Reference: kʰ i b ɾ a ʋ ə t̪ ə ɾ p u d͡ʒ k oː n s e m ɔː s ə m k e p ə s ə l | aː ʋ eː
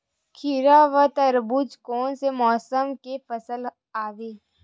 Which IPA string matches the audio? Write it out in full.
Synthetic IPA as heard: kʰ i ɾ a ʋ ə t̪ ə ɾ b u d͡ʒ k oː n s e m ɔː s ə m k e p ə s ə l | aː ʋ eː